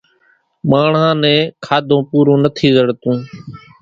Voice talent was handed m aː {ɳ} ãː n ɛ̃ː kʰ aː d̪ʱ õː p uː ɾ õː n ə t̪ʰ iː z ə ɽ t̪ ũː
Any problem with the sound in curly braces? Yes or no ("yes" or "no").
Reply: no